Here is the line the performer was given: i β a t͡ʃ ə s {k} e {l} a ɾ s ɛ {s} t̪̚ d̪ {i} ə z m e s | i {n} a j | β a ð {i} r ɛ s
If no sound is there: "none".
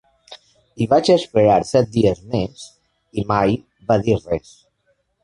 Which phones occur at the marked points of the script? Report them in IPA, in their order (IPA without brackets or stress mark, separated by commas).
p, ɾ, none, i, m, i